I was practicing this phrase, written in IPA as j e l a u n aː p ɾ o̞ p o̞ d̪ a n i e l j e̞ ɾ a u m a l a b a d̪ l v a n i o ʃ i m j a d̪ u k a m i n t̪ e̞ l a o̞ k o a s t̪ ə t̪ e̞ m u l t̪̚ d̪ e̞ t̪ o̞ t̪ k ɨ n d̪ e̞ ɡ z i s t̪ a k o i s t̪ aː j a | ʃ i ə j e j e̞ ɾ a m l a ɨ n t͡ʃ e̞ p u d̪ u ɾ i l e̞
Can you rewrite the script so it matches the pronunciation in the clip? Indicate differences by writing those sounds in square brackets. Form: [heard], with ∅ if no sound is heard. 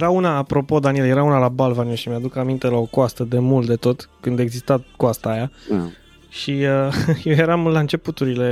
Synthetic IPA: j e [ɾ] a u n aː p ɾ o̞ p o̞ d̪ a n i e l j e̞ ɾ a u [n] a l a b a [∅] l v a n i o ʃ i m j a d̪ u k a m i n t̪ e̞ l a o̞ k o a s t̪ ə [d̪] e̞ m u l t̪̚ d̪ e̞ t̪ o̞ t̪ k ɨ n d̪ e̞ ɡ z i s t̪ a k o [a] s t̪ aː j a | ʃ i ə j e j e̞ ɾ a m l a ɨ n t͡ʃ e̞ p u [t̪] u ɾ i l e̞